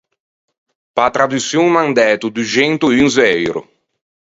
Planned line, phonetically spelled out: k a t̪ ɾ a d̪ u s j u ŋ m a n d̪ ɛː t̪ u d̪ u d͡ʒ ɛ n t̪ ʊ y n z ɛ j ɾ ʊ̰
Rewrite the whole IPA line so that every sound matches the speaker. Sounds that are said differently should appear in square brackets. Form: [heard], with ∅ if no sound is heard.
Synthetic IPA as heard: [p] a t̪ ɾ a d̪ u s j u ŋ m a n d̪ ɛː t̪ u d̪ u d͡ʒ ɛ n t̪ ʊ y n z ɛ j ɾ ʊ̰